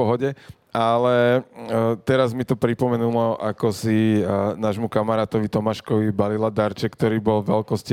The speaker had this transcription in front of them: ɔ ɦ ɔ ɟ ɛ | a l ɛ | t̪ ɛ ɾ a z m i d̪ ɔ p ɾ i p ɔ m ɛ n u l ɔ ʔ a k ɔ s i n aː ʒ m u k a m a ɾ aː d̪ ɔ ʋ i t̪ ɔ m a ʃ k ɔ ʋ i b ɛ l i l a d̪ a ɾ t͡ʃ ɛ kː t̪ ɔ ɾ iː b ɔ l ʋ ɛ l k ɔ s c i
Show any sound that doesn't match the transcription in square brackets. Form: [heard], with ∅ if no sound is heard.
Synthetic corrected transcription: ɔ ɦ ɔ ɟ ɛ | a l ɛ | t̪ ɛ ɾ a z m i [t̪] ɔ p ɾ i p ɔ m ɛ n u l ɔ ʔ a k ɔ s i n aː ʒ m u k a m a ɾ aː [t̪] ɔ ʋ i t̪ ɔ m a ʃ k ɔ ʋ i b [a] l i l a d̪ a ɾ t͡ʃ ɛ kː t̪ ɔ ɾ iː b ɔ l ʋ ɛ l k ɔ s c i